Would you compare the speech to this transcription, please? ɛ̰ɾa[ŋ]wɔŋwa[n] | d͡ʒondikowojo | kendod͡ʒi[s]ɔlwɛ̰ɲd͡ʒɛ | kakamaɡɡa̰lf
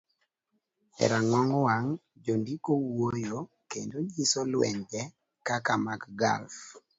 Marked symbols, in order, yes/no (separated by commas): yes, no, yes